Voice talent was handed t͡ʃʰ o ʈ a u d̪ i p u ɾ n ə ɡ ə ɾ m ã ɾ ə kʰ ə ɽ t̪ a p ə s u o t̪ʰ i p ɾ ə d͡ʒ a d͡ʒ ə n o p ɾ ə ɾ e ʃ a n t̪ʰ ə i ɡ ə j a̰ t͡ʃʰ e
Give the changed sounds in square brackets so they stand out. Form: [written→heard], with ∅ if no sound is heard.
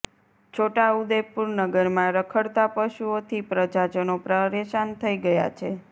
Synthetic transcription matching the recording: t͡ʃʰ o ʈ a u d̪ [i→e] p u ɾ n ə ɡ ə ɾ m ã ɾ ə kʰ ə ɽ t̪ a p ə [s→ʃ] u o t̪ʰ i p ɾ ə d͡ʒ a d͡ʒ ə n o p ɾ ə ɾ e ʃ a n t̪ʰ ə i ɡ ə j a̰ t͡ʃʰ e